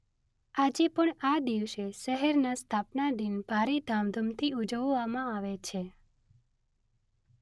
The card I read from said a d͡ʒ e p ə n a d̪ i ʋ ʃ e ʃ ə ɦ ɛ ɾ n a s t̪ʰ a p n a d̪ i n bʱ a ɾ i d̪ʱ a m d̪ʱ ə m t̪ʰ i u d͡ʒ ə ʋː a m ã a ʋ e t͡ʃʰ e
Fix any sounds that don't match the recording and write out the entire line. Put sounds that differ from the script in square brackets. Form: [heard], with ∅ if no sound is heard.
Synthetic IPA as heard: a d͡ʒ e p ə [ɳ] a d̪ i ʋ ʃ e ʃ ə ɦ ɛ ɾ n a s t̪ʰ a p n a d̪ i n bʱ a ɾ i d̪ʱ a m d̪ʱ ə m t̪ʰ i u d͡ʒ ə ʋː a m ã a ʋ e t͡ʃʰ e